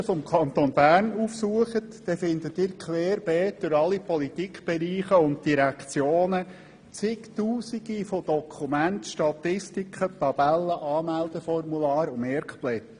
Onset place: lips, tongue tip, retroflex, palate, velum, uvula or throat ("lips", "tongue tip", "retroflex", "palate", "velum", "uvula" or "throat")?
lips